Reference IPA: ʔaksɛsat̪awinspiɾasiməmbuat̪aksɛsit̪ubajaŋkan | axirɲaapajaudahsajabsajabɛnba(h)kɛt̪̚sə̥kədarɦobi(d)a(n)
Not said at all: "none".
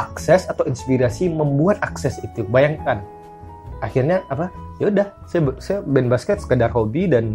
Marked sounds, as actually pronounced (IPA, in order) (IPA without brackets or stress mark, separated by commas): s, d, n